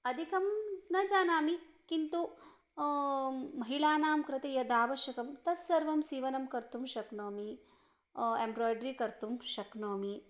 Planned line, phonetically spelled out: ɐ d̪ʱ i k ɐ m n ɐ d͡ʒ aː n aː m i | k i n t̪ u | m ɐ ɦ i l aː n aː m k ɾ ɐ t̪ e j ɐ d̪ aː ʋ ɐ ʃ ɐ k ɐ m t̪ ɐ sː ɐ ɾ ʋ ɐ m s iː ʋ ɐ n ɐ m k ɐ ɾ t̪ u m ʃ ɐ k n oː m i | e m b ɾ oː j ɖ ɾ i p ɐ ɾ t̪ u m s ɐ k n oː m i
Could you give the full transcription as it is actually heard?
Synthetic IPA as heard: ɐ d̪ʱ i k ɐ m n ɐ d͡ʒ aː n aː m i | k i n t̪ u | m ɐ ɦ i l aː n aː m k ɾ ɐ t̪ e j ɐ d̪ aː ʋ ɐ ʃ ɐ k ɐ m t̪ ɐ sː ɐ ɾ ʋ ɐ m s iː ʋ ɐ n ɐ m k ɐ ɾ t̪ u m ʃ ɐ k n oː m i | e m b ɾ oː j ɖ ɾ i k ɐ ɾ t̪ u m ʃ ɐ k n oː m i